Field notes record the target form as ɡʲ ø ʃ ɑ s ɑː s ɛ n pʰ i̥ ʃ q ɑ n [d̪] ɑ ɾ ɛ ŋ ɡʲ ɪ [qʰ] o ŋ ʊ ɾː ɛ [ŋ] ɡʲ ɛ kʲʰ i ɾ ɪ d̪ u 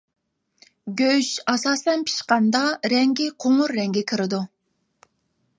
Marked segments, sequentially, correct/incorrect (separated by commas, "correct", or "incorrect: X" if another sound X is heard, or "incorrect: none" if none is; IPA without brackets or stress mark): correct, correct, correct